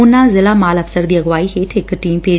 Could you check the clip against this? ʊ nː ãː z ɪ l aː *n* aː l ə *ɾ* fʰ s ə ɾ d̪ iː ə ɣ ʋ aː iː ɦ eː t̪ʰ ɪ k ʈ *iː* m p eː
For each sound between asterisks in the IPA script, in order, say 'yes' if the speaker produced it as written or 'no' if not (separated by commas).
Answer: no, no, yes